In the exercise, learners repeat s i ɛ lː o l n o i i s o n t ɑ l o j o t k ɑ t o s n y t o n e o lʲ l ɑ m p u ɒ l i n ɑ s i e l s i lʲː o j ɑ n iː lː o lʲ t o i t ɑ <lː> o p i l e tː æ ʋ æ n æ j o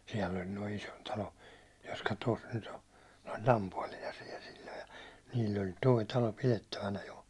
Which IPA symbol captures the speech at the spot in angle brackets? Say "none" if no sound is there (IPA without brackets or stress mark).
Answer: l